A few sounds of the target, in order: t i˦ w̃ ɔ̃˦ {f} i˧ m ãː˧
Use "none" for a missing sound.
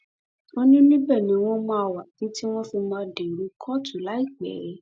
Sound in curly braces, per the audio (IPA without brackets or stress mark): f